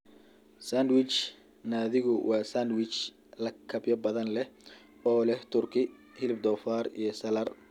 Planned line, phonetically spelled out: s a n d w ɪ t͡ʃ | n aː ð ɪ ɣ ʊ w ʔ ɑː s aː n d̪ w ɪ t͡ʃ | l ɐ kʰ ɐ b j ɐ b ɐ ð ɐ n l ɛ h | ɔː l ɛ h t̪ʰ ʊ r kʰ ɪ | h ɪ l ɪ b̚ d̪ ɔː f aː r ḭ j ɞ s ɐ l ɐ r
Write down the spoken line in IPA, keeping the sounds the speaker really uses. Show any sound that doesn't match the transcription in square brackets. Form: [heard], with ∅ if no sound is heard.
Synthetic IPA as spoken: s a n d w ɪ t͡ʃ | n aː ð ɪ ɣ ʊ w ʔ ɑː s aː n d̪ w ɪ t͡ʃ | l ɐ kʰ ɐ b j ɐ b ɐ ð ɐ n l ɛ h | ɔː l ɛ h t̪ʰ ʊ r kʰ ɪ | h ɪ l ɪ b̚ d̪ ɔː f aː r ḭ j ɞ s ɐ l ɐ r